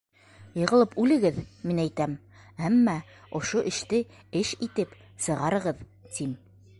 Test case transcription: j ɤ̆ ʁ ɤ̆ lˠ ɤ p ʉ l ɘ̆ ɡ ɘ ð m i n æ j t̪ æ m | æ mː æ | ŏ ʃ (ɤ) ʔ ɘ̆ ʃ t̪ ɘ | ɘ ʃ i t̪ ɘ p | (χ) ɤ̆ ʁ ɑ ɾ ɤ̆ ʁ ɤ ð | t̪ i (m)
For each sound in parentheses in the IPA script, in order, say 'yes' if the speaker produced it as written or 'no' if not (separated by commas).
no, no, yes